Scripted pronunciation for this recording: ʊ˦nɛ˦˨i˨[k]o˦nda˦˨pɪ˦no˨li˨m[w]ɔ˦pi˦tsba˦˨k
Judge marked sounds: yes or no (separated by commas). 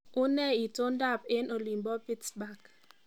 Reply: no, no